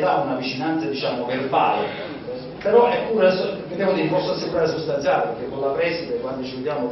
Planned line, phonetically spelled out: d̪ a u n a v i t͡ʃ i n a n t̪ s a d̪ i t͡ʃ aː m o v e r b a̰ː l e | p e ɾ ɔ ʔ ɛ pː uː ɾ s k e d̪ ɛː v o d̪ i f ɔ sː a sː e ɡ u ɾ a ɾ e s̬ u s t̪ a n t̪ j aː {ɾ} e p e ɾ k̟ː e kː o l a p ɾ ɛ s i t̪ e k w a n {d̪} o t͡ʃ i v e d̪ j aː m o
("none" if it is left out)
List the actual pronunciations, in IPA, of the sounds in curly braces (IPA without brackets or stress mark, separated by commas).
l, d̪